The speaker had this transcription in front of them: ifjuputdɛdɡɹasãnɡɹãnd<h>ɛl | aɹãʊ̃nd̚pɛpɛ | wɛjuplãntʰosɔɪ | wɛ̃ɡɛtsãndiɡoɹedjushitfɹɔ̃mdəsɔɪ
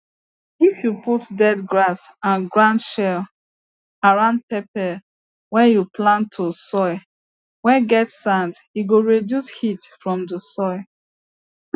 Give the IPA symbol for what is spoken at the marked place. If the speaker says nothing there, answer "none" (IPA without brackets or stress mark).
ʃ